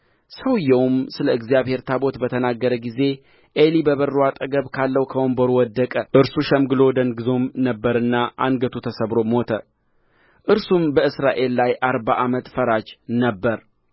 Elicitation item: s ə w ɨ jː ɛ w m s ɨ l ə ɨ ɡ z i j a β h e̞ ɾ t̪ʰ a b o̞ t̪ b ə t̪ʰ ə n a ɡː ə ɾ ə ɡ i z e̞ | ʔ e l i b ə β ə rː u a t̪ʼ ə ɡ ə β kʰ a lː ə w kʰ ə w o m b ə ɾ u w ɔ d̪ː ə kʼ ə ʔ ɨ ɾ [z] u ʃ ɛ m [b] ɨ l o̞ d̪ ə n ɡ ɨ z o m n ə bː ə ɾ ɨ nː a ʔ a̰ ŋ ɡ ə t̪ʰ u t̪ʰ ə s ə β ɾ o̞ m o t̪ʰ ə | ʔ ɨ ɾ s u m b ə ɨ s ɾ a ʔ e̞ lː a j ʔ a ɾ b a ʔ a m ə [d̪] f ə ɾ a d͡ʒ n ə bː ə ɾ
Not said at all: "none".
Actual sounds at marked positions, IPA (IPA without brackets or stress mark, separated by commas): s, ɡ, t̪